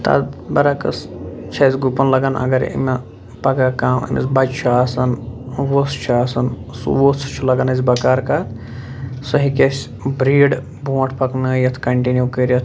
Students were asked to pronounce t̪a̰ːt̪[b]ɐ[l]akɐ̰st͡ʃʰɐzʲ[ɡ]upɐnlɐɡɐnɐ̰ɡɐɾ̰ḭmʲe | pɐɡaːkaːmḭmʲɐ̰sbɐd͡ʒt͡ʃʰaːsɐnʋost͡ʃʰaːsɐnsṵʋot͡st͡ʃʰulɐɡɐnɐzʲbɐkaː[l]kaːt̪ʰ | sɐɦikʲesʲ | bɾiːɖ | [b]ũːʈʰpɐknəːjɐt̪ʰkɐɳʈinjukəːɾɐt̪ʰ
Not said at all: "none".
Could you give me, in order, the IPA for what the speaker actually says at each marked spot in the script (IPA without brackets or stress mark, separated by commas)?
b, ɾ, ɡ, ɾ, b